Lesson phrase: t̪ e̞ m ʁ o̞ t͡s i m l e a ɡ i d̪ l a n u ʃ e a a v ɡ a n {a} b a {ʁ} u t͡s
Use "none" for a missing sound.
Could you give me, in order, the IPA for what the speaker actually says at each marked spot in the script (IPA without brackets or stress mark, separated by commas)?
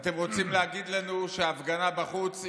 a, χ